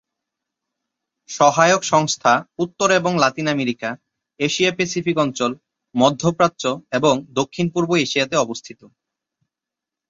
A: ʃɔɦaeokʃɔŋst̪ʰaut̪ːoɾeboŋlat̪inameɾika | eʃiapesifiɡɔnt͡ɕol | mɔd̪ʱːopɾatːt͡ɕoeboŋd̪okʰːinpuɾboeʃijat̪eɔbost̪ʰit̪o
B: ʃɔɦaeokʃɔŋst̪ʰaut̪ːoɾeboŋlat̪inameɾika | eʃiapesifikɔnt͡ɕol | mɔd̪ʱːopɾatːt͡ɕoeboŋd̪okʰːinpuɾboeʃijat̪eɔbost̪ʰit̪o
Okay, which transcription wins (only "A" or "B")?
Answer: B